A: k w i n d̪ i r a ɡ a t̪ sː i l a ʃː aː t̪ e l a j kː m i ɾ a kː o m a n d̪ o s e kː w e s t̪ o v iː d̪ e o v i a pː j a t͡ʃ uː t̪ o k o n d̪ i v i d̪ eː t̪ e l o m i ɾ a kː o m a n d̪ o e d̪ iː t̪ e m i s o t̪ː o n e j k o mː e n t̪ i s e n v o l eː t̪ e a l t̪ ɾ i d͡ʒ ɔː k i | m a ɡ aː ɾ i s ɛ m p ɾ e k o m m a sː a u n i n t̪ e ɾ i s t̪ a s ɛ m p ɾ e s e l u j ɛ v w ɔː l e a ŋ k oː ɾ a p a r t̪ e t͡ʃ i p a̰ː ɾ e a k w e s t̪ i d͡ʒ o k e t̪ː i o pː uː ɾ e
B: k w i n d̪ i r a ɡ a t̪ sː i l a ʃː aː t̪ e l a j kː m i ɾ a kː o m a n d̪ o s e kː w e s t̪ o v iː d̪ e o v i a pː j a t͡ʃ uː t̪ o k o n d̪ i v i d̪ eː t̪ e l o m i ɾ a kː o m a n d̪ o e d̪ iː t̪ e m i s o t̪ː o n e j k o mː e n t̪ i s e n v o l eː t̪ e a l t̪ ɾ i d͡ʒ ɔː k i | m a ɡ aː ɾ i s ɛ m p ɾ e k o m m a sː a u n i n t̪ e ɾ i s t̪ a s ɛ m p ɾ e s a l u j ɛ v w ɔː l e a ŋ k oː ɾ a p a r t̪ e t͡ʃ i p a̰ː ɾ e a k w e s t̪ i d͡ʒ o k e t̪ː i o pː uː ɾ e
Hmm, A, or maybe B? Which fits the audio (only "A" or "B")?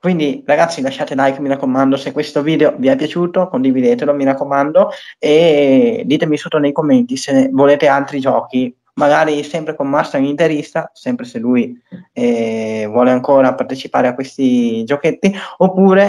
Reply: A